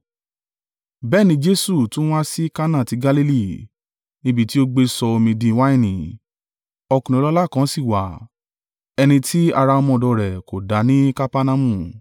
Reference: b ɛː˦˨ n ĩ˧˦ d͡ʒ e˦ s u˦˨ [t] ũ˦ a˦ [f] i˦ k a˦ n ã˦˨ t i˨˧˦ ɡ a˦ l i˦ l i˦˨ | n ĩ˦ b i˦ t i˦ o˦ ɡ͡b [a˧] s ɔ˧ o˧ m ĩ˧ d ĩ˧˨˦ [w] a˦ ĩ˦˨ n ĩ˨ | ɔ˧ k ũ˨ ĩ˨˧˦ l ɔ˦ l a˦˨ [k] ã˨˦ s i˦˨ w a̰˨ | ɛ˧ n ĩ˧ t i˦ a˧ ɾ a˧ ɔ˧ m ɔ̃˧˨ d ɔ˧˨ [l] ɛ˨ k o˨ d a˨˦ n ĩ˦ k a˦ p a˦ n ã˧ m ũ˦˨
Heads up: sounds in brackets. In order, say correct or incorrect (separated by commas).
correct, incorrect, incorrect, correct, correct, incorrect